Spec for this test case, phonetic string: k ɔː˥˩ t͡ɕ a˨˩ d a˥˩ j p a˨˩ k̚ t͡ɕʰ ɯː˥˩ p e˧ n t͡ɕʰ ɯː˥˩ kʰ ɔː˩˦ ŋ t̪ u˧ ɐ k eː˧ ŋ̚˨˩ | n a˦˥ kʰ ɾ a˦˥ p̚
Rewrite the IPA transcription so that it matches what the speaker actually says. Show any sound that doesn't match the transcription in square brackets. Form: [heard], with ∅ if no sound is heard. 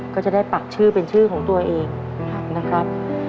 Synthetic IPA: k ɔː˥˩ t͡ɕ a˨˩ d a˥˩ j p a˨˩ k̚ t͡ɕʰ ɯː˥˩ p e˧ n t͡ɕʰ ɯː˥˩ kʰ ɔː˩˦ ŋ t̪ u˧ ɐ [ʔ] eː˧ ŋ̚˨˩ | n a˦˥ kʰ ɾ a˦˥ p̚